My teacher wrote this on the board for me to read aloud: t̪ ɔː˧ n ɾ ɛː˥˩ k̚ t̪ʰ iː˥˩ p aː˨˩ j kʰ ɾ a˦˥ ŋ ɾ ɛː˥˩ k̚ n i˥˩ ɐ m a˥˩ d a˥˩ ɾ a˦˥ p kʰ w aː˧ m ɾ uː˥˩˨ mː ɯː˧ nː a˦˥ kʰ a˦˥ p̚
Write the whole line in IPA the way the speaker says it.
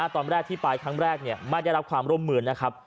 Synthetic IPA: t̪ ɔː˧ n ɾ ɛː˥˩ k̚ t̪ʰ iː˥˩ p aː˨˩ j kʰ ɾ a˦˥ ŋ ɾ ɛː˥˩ k̚ n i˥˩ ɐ m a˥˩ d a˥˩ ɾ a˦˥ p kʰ w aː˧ m ɾ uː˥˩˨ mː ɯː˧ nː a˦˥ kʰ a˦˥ p̚